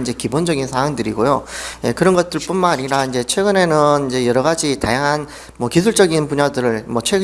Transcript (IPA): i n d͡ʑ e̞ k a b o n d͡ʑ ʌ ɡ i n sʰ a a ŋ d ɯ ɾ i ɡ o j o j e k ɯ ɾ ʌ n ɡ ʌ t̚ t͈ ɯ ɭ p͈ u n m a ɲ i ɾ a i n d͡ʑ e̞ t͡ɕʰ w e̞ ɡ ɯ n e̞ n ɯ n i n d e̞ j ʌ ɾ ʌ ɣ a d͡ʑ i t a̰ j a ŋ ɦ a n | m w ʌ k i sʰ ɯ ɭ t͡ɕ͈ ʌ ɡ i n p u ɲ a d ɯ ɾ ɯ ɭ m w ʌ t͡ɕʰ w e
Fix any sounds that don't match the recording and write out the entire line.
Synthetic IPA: i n d͡ʑ e̞ k i b o n d͡ʑ ʌ ɡ i n sʰ a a ŋ d ɯ ɾ i ɡ o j o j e k ɯ ɾ ʌ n ɡ ʌ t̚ t͈ ɯ ɭ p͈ u n m a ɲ i ɾ a i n d͡ʑ e̞ t͡ɕʰ w e̞ ɡ ɯ n e̞ n ɯ n i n d͡ʑ e̞ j ʌ ɾ ʌ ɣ a d͡ʑ i t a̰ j a ŋ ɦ a n | m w ʌ k i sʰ u ɭ t͡ɕ͈ ʌ ɡ i n p u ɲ a d ɯ ɾ ɯ ɭ m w ʌ t͡ɕʰ w e